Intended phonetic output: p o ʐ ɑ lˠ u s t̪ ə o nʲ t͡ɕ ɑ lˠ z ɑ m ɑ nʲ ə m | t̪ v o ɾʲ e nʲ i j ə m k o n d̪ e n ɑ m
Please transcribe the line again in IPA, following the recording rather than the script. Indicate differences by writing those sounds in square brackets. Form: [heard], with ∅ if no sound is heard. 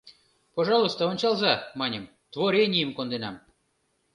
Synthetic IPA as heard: p o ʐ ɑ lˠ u s t̪ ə o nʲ t͡ɕ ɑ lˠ z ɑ m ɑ nʲ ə m | t̪ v o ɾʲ e nʲ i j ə m k o n d̪ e n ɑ m